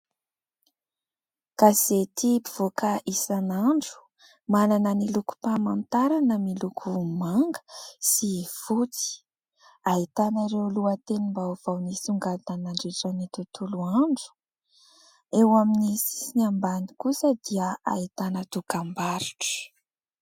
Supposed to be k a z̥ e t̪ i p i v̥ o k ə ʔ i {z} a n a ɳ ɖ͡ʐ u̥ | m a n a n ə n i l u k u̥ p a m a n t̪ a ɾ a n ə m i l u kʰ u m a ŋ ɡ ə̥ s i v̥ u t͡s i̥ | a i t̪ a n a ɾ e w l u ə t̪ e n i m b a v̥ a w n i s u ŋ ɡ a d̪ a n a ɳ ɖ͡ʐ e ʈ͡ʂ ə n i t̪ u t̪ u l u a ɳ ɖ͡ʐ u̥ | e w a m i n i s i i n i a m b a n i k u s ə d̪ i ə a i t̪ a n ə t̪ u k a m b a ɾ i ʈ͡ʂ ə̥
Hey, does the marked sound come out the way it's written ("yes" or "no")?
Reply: no